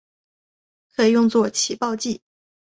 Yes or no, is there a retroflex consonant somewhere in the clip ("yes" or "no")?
no